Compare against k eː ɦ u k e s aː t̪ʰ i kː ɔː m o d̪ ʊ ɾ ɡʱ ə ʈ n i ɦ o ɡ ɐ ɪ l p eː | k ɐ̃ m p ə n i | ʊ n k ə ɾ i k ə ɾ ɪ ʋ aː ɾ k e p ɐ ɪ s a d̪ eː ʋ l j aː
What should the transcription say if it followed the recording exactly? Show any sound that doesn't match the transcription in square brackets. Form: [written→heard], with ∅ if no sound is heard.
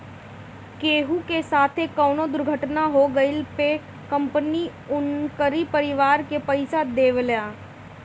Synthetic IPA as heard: k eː ɦ u k e s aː t̪ʰ [i→e] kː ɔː [m→n] o d̪ ʊ ɾ ɡʱ ə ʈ n [i→a] ɦ o ɡ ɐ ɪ l p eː | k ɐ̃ m p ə n i | ʊ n k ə ɾ i [k→p] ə ɾ ɪ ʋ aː ɾ k e p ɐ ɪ s a d̪ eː ʋ l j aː